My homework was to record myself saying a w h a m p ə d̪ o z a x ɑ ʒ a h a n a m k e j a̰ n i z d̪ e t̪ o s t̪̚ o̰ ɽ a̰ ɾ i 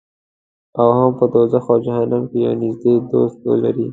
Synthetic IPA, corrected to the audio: a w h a m p ə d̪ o z a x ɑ d͡ʒ a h a n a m k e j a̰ n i z d̪ e d̪ o s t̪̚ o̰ l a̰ ɾ i